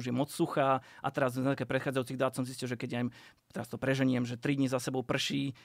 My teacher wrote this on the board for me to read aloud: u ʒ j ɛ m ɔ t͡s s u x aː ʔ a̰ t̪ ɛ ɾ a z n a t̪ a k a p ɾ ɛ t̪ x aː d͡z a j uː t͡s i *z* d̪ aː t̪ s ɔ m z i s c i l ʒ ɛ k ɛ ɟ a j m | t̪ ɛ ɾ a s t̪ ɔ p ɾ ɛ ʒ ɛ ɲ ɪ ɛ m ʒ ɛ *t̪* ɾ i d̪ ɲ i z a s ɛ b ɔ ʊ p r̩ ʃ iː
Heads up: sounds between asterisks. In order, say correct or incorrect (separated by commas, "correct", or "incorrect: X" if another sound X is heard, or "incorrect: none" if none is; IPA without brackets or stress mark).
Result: incorrect: ɣ, correct